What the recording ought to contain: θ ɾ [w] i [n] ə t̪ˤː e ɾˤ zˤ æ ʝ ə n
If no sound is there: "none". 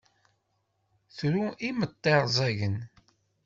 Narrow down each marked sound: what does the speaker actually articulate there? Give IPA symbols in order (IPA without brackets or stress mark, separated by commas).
u, m